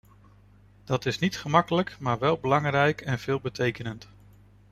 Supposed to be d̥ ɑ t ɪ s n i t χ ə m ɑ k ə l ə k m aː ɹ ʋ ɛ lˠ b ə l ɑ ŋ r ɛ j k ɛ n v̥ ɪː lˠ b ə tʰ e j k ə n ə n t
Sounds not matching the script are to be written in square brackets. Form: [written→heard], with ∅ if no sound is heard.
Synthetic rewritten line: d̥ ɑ t ɪ s n i t χ ə m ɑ k ə l ə k m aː ɹ ʋ ɛ lˠ b ə l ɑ ŋ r ɛ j k ɛ n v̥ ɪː lˠ b ə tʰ e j k ə n ə n t